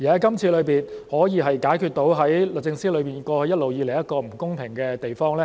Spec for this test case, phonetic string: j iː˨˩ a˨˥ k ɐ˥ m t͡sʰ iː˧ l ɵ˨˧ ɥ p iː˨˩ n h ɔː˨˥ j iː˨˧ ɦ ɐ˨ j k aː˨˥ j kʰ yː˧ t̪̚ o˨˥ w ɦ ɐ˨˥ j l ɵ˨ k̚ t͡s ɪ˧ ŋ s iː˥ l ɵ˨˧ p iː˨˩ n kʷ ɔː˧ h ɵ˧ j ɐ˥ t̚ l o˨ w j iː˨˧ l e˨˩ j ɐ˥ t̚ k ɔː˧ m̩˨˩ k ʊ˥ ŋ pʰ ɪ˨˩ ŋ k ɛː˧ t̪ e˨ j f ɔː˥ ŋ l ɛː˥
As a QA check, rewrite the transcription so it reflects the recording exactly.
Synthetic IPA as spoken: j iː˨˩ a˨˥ k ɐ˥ m t͡sʰ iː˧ l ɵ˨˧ ɥ p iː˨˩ n h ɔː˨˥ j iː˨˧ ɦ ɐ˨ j k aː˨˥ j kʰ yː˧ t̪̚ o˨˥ w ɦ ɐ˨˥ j l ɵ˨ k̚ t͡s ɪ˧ ŋ s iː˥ l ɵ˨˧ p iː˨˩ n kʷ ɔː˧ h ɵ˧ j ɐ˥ t̚ l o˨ w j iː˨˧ l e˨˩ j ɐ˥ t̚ k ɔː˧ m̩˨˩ k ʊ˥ ŋ pʰ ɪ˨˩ ŋ k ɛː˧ t̪ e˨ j f ɔː˥ ŋ l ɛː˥